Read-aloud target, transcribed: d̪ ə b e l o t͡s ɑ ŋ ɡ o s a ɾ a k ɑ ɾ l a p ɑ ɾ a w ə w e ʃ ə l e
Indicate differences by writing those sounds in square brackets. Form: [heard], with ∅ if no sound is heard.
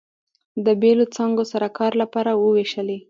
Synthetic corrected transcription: d̪ ə b e l o t͡s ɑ ŋ ɡ o s a ɾ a k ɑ ɾ l a p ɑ ɾ a w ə w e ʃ ə l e